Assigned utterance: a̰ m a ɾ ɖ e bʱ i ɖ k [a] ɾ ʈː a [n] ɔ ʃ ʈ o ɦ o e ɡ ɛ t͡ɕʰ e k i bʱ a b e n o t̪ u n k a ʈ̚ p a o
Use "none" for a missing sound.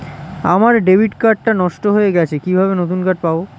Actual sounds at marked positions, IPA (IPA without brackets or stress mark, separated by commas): a, n